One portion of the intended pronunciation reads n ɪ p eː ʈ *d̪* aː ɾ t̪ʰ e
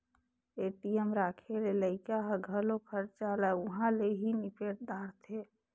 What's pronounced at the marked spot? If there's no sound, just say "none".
d̪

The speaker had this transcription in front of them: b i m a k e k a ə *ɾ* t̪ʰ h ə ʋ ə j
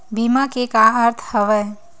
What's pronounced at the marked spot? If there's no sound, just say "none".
ɾ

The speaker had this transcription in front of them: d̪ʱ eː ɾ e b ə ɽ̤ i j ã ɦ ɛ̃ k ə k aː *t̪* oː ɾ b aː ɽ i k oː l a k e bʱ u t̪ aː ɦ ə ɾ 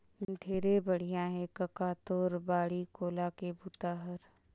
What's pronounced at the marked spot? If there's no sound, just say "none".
t̪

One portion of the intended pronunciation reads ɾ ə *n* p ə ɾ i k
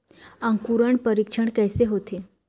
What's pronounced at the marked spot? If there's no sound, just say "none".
ɳ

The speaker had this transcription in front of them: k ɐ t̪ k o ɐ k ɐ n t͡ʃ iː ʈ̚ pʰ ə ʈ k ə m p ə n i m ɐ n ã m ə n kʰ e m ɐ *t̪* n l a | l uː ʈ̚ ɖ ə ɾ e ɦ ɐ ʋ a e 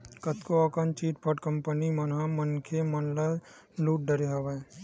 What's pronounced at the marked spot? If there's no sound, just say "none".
none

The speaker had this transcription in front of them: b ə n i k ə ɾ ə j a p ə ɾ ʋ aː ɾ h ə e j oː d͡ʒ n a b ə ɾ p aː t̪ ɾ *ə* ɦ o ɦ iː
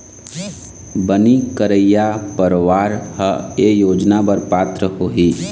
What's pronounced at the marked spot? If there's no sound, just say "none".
ə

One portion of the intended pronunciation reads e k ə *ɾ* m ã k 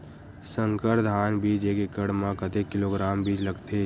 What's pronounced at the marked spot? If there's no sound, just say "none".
ɽ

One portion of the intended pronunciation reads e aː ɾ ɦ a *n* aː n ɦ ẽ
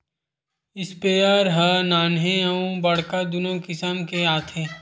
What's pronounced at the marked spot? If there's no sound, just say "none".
n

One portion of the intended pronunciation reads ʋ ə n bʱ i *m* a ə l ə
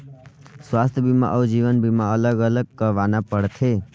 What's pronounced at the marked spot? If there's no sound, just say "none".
m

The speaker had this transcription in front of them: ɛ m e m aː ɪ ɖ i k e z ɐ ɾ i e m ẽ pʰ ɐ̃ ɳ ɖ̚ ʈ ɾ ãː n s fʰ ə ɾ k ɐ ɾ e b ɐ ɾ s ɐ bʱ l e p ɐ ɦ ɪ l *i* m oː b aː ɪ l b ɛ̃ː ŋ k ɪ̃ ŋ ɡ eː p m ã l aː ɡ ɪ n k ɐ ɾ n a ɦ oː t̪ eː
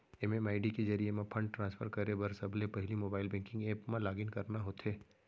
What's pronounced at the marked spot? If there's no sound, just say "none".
i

